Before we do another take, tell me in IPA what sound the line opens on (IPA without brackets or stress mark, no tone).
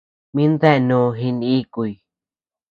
m